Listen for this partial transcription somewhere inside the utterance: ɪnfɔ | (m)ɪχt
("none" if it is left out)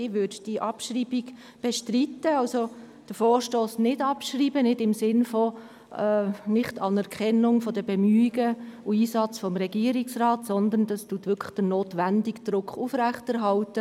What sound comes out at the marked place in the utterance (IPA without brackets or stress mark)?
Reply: n